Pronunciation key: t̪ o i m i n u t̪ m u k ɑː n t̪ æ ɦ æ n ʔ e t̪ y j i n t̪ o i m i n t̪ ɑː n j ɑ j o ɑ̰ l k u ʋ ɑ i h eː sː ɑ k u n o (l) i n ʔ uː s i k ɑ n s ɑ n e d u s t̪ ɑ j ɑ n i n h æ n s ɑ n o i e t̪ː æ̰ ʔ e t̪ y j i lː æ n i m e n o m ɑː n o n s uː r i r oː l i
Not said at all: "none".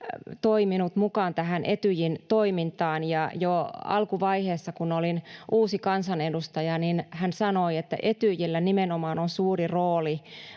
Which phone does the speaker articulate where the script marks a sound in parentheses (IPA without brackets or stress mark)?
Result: l